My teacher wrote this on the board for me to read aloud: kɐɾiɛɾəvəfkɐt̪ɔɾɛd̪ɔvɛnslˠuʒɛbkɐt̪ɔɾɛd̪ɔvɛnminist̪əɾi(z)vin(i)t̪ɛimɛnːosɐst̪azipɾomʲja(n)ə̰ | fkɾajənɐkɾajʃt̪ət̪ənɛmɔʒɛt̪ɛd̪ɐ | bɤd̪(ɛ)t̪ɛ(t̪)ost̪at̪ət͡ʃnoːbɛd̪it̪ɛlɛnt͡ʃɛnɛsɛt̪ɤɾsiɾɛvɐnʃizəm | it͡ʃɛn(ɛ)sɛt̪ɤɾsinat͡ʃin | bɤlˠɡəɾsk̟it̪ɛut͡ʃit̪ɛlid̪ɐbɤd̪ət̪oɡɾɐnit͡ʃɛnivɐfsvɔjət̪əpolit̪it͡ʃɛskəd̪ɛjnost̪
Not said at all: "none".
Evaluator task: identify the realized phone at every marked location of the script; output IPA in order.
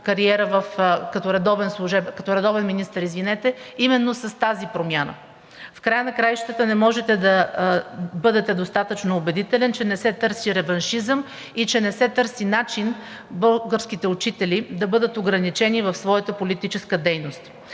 z, ɛ, n, ɛ, d̪, ɛ

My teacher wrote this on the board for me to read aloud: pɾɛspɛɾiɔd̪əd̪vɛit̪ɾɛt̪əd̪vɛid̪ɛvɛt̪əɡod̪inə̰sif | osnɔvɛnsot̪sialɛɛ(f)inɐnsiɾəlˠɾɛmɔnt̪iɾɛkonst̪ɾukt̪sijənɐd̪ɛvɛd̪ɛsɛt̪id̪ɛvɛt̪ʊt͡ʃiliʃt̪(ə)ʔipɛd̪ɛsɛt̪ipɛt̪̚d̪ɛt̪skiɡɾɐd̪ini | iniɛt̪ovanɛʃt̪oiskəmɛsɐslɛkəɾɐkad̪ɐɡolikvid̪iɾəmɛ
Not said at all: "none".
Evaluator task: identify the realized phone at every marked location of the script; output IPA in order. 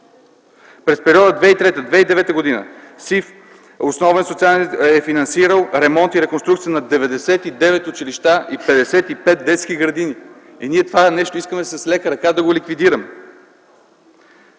f, a

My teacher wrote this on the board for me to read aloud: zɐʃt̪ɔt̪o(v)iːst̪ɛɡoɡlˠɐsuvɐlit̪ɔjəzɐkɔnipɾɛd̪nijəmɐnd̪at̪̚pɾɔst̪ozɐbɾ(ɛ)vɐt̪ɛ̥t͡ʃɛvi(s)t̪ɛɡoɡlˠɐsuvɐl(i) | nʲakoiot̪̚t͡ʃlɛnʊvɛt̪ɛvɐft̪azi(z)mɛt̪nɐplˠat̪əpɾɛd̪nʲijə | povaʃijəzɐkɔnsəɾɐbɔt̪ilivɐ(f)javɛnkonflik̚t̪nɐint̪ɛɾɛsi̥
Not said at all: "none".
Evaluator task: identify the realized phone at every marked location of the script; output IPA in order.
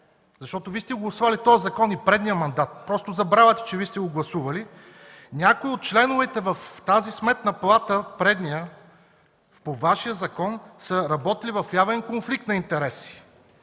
v, a, s, i, s, f

